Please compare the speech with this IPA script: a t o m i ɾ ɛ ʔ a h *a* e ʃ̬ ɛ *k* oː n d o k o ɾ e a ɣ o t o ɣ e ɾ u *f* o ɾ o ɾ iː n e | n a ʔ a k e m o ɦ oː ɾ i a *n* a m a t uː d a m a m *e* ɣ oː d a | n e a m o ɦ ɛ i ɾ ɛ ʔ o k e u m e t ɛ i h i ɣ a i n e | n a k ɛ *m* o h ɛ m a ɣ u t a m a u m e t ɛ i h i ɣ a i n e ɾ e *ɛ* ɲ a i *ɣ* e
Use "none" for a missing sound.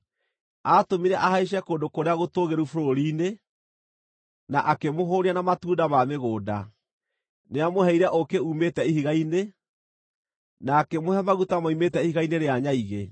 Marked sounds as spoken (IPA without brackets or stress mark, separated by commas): a, k, f, n, e, m, a, ɣ